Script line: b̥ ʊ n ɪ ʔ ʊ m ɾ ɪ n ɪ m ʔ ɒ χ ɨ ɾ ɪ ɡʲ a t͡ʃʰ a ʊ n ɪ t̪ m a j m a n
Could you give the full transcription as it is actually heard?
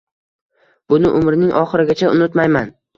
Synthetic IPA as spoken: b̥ ʊ n ɪ ʔ ʊ m ɾ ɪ n ɪ ŋ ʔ ɒ χ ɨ ɾ ɪ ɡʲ a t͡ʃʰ a ʊ n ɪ t̪ m a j m a n